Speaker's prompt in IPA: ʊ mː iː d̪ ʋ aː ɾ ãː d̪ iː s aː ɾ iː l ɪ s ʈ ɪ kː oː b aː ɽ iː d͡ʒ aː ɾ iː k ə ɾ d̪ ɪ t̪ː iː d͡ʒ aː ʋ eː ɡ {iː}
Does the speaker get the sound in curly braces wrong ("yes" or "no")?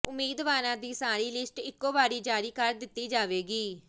no